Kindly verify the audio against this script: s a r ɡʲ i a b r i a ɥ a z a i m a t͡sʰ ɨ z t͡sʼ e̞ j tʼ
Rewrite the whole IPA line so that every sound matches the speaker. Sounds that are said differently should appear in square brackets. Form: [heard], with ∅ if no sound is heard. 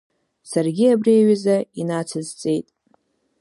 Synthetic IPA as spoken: s a r ɡʲ i a b r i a ɥ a z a i [n] a t͡sʰ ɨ z t͡sʼ e̞ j tʼ